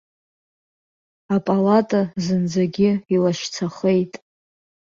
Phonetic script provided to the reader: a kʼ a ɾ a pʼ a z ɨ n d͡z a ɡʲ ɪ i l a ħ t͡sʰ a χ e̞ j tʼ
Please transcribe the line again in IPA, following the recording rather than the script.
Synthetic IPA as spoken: a pʼ a l a tʼ a z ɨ n d͡z a ɡʲ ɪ i l a ʃ t͡sʰ a χ e̞ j tʼ

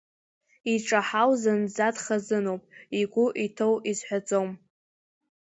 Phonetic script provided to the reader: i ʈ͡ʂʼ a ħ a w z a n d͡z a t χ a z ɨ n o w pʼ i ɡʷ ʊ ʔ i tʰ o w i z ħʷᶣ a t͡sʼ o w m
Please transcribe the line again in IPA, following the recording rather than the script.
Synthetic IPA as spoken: i ʈ͡ʂʼ a ħ a w z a n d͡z a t χ a z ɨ n o w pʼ i ɡʷ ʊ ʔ i tʰ o w i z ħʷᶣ a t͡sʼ o w m

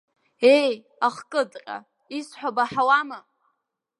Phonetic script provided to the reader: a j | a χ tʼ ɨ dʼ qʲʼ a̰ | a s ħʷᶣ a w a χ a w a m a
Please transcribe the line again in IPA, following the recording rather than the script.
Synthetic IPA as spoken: e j | a χ kʼ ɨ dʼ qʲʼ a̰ | i s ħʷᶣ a b a ħ a w a m a

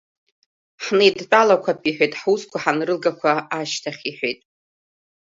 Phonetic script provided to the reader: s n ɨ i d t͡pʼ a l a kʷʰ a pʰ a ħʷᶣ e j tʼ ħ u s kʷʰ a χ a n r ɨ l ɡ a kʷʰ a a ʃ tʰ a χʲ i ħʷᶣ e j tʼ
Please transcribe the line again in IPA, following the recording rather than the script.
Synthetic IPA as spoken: ħ n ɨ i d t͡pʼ a l a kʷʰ a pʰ i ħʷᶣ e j tʼ ħ u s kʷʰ a ħ a n r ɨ l ɡ a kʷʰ a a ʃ tʰ a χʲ i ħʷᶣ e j tʼ

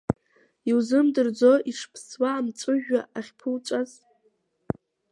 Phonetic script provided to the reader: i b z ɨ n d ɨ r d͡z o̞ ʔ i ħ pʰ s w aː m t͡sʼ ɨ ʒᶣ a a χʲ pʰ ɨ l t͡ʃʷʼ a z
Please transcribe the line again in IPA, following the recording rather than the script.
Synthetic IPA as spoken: i w z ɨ m d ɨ r d͡z o̞ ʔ i ʂ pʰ s w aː m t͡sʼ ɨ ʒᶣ a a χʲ pʰ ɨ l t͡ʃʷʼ a z

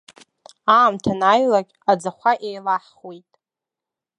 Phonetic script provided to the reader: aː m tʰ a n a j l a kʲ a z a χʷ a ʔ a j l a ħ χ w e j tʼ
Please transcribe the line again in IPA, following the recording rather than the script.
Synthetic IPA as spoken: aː m tʰ a n a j l a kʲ a d͡z a χʷ a ʔ e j l a ħ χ w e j tʼ

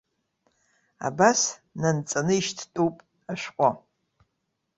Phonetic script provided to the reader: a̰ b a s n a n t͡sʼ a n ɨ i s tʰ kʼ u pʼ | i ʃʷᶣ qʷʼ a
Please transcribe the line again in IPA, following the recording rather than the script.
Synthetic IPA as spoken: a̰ b a s n a n t͡sʼ a n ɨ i ʃ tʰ tʼ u pʼ | a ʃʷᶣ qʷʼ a

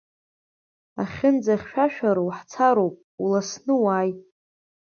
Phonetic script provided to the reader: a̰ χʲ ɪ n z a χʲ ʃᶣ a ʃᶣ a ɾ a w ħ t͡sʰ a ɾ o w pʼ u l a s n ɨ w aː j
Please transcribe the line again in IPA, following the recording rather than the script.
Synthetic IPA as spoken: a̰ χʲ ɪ n d͡z a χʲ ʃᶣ a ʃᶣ a ɾ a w ħ t͡sʰ a ɾ o w pʼ u l a s n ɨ w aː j

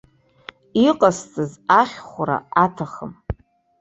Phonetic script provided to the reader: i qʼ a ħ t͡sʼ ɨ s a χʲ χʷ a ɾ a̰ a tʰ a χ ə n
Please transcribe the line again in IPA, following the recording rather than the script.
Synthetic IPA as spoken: i qʼ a s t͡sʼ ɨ z a χʲ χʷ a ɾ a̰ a tʰ a χ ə m

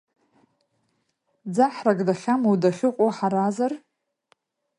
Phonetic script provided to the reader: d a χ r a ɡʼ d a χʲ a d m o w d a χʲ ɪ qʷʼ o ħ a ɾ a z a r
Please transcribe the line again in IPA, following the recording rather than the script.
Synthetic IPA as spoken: d͡z a ħ r a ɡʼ d a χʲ a m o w d a χʲ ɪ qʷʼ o ħ a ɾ a z a r

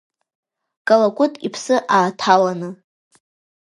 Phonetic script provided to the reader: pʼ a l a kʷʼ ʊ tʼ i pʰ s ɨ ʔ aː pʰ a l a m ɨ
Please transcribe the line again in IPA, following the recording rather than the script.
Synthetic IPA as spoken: kʼ a l a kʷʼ ʊ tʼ i pʰ s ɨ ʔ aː tʰ a l a n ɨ

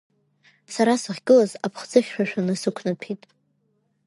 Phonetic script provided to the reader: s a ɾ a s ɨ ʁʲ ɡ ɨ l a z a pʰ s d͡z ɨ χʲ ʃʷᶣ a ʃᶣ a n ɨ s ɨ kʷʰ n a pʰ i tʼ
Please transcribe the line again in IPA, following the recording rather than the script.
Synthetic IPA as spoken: s a ɾ a s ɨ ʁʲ ɡ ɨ l a z a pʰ χ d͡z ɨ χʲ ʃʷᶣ a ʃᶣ a n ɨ s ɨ kʷʰ n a pʰ i tʼ

